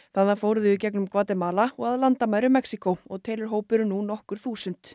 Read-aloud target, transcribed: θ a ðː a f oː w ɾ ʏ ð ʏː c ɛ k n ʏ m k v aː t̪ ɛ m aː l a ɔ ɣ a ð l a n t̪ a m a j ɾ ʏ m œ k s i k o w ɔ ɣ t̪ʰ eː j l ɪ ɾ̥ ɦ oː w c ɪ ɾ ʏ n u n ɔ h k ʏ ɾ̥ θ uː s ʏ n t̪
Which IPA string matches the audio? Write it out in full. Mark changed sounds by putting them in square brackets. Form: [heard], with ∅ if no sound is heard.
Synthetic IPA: θ a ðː a f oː w ɾ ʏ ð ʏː c ɛ k n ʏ m k v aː t̪ ɛ m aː l a ɔ ɣ a ð l a n t̪ a m a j ɾ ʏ m [ɛ] k s i k o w ɔ ɣ t̪ʰ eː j l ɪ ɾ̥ ɦ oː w [p] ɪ ɾ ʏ n u n ɔ h k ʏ ɾ̥ θ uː s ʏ n t̪